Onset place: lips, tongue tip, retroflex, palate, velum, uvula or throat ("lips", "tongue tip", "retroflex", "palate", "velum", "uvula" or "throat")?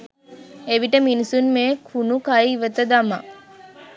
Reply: lips